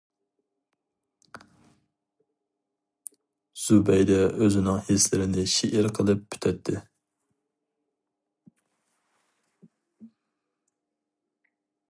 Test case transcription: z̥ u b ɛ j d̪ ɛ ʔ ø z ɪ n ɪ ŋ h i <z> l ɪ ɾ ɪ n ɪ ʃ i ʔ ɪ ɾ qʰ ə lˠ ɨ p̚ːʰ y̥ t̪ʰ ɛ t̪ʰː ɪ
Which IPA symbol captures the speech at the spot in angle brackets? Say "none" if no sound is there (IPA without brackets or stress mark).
s